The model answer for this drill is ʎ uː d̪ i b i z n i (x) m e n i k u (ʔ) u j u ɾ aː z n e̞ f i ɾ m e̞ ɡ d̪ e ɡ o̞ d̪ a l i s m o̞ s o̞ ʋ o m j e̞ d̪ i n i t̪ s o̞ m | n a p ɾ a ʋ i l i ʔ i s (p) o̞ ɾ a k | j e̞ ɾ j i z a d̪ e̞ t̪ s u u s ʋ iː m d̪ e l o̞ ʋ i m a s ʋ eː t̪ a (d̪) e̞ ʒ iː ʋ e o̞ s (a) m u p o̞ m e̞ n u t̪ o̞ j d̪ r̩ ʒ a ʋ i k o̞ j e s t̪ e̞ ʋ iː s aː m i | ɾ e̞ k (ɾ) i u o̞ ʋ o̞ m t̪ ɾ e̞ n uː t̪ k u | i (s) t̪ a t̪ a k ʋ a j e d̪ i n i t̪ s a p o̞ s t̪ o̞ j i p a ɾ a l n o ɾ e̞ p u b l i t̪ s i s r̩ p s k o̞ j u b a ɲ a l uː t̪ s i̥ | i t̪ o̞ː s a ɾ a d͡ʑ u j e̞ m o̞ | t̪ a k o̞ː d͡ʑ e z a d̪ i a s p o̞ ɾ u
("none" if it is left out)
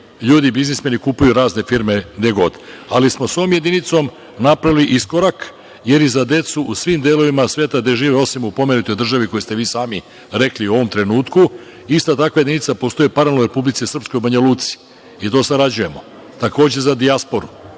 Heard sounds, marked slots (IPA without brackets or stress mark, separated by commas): s, p, k, d̪, i, l, s